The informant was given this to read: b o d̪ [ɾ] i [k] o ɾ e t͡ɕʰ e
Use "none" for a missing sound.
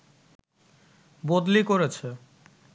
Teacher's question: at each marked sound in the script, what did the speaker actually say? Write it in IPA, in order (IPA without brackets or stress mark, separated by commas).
l, k